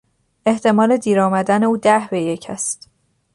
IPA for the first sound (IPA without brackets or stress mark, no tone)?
e̞